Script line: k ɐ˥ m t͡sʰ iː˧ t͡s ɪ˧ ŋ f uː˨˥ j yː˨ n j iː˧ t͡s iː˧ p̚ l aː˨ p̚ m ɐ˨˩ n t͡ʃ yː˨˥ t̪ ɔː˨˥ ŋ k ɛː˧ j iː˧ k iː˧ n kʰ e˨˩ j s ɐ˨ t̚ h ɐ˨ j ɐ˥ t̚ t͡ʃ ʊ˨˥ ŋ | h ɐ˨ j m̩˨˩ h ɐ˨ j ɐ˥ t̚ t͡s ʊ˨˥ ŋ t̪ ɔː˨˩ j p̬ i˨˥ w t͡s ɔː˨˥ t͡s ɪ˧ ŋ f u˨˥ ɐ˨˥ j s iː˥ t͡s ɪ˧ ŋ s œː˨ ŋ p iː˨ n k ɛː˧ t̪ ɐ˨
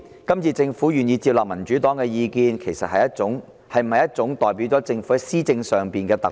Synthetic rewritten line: k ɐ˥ m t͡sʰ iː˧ t͡s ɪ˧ ŋ f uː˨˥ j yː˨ n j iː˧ t͡s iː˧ p̚ l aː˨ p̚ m ɐ˨˩ n t͡ʃ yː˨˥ t̪ ɔː˨˥ ŋ k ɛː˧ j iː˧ k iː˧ n kʰ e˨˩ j s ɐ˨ t̚ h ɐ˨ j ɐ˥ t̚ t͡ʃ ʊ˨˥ ŋ | h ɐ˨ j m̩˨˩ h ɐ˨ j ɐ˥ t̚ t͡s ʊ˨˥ ŋ t̪ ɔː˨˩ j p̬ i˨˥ w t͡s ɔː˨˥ t͡s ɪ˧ ŋ f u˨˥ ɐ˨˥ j s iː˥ t͡s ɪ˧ ŋ s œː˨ ŋ p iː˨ n k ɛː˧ t̪ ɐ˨